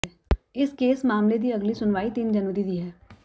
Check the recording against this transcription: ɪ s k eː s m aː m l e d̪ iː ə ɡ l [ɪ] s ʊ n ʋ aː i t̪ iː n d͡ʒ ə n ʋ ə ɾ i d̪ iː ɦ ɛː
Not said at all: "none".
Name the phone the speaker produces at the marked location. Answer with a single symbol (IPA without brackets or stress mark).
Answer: i